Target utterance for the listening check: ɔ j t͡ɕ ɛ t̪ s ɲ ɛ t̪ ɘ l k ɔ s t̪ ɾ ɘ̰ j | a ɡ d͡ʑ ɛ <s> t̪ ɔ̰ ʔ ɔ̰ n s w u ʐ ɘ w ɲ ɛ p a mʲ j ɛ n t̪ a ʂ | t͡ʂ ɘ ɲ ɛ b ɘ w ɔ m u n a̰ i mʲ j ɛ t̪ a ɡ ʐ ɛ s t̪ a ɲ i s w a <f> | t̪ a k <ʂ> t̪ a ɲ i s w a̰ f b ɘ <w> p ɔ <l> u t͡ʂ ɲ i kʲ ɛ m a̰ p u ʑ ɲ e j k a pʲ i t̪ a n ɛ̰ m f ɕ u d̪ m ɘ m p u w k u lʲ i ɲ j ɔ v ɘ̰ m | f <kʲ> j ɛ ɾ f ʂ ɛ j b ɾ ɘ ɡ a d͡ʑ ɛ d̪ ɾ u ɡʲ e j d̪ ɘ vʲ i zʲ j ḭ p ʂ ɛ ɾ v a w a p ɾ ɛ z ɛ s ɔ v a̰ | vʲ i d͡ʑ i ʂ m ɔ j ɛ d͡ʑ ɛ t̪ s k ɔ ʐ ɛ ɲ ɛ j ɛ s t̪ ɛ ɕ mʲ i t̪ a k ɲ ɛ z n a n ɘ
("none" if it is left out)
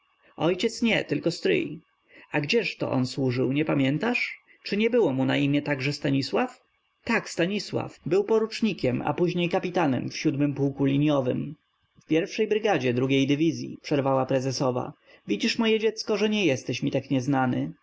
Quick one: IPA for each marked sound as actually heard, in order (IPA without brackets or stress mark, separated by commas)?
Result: ʂ, f, s, w, ɾ, pʲ